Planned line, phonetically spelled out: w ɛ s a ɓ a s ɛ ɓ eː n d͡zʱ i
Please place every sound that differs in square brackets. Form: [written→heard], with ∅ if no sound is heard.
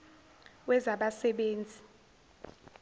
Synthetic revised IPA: w ɛ [s→z] a ɓ a s ɛ ɓ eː n d͡zʱ i